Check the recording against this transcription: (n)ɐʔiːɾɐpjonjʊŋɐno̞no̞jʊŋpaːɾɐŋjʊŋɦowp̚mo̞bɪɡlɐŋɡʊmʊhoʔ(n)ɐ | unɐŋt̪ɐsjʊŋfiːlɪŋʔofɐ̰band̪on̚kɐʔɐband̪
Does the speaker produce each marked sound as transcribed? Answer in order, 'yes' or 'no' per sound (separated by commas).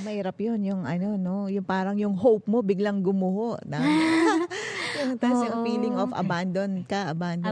no, yes